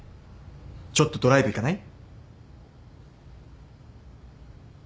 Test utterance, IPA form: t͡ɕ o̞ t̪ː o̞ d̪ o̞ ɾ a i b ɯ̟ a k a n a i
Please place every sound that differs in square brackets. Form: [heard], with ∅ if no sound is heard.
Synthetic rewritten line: t͡ɕ o̞ t̪ː o̞ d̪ o̞ ɾ a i b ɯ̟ [i] k a n a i